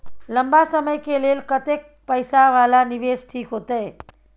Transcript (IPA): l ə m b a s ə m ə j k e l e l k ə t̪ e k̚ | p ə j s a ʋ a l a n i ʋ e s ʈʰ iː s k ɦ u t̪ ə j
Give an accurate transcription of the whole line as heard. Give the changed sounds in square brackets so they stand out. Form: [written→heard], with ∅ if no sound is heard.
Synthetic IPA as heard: l ə m b a s ə m ə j k e l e l k ə t̪ e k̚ | p ə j s a ʋ a l a n i ʋ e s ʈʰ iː [s→∅] k ɦ [u→o] t̪ ə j